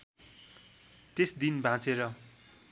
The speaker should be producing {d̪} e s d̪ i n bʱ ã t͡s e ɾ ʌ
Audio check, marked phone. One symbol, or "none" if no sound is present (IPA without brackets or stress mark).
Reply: t̪